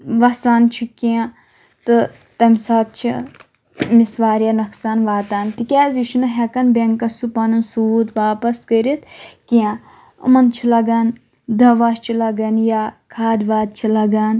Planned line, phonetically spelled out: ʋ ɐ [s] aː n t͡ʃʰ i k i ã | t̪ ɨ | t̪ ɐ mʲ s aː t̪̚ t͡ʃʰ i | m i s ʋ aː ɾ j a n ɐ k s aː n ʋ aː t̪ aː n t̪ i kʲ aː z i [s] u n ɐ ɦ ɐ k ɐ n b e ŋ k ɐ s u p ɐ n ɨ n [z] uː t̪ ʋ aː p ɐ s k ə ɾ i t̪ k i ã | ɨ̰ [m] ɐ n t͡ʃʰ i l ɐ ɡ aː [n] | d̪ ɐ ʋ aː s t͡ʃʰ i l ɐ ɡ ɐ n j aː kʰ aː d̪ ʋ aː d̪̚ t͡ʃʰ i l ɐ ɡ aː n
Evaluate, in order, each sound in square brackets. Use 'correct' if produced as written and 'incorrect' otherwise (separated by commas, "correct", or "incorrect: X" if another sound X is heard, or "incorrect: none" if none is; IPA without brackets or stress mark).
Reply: correct, incorrect: ʃ, incorrect: s, correct, correct